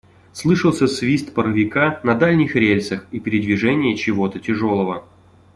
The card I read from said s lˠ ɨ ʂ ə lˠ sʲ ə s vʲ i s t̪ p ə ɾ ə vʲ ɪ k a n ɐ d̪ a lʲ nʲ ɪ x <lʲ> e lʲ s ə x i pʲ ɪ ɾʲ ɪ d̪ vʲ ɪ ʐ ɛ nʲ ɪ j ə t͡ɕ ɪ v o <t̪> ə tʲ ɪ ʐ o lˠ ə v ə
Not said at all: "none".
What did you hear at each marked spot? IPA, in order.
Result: ɾʲ, t̪

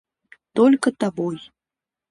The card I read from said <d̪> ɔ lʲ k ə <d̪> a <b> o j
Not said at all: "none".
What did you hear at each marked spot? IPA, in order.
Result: t̪, t̪, b

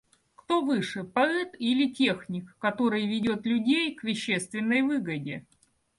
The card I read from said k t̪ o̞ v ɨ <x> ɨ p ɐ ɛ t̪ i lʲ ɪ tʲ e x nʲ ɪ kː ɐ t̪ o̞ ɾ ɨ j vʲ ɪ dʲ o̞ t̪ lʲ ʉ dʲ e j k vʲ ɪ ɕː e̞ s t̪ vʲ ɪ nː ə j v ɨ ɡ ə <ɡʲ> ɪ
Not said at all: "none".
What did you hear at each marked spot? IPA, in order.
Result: ʂ, dʲ

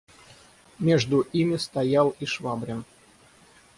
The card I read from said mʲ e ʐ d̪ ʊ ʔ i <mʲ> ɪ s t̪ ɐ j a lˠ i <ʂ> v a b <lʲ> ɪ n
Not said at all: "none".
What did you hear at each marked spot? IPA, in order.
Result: mʲ, ʂ, ɾʲ

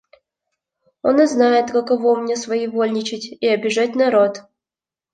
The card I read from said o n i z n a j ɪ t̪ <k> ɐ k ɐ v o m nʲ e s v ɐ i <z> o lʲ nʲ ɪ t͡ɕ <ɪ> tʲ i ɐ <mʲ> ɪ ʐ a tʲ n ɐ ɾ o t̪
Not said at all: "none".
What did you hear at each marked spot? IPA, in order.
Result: k, v, ɪ, bʲ

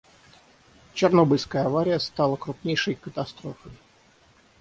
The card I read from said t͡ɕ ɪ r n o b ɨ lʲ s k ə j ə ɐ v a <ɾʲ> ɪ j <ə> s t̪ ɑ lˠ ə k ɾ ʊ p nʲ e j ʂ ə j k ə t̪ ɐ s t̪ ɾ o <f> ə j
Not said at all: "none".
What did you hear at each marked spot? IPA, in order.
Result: ɾʲ, ə, f

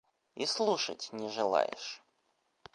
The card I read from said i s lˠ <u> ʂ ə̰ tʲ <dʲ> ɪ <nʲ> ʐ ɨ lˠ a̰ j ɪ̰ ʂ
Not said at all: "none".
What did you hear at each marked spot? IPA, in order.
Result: u, nʲ, none

